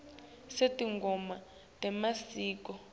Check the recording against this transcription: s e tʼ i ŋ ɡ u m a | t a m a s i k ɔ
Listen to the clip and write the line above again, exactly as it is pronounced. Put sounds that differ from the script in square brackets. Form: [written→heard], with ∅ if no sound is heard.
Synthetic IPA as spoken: s e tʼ i ŋ ɡ [u→ɔ] m a | t [a→ɛ] m a s [i→iː] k ɔ